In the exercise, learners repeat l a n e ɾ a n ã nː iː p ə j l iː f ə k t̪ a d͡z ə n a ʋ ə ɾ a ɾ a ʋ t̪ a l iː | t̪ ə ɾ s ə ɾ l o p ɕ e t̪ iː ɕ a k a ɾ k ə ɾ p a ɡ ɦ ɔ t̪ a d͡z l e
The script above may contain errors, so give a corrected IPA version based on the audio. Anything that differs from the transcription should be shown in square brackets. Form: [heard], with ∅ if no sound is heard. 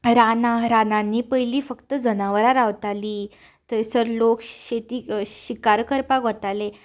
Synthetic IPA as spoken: [ɾ] a n [a] ɾ a n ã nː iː p ə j l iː f ə k t̪ [ə] d͡z ə n a ʋ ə ɾ a ɾ a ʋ t̪ a l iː | t̪ ə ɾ s ə ɾ l o [k] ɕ e t̪ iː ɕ [i] k a ɾ k ə ɾ p a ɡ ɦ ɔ t̪ a [∅] l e